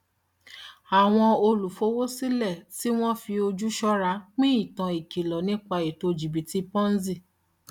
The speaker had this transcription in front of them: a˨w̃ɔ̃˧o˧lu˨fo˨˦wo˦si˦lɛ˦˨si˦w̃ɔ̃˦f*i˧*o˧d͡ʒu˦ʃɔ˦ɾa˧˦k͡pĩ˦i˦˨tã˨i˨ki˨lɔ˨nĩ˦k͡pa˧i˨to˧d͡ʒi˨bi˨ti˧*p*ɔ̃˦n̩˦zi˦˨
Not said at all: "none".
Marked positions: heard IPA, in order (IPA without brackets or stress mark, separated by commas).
i˧, p